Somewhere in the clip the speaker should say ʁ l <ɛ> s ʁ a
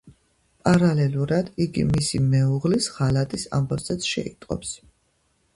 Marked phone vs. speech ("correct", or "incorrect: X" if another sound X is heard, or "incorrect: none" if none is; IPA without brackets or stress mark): incorrect: i